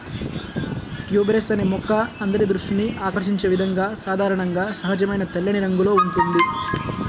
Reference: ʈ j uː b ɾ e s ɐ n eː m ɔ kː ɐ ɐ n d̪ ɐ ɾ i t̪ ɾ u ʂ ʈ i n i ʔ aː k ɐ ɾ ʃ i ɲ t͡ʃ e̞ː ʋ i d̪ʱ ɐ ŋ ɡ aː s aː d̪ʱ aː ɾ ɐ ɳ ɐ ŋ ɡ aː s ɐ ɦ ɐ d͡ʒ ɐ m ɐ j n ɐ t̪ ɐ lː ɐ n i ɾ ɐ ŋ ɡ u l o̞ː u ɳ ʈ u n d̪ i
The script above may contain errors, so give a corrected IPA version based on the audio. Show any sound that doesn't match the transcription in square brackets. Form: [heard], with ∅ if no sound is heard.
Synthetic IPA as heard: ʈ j uː b ɾ e s ɐ n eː m ɔ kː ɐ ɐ n d̪ ɐ ɾ i [d̪] ɾ u ʂ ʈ i n i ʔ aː k ɐ ɾ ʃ i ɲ t͡ʃ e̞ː ʋ i d̪ʱ ɐ ŋ ɡ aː s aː d̪ʱ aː ɾ ɐ ɳ ɐ ŋ ɡ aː s ɐ ɦ ɐ d͡ʒ ɐ m ɐ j n ɐ t̪ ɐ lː ɐ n i ɾ ɐ ŋ ɡ u l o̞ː u ɳ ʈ u n d̪ i